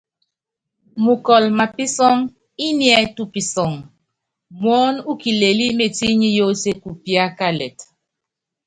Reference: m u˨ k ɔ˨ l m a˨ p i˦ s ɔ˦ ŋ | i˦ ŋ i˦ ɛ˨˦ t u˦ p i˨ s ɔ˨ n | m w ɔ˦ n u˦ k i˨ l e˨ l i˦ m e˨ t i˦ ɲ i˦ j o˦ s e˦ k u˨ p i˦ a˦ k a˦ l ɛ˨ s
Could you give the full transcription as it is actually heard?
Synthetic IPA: m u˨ k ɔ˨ l m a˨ p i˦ s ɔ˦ ŋ | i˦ n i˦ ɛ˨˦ t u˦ p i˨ s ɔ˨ ŋ | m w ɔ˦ n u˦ k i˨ l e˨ l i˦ m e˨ t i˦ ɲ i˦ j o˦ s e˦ k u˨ p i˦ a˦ k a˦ l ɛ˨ t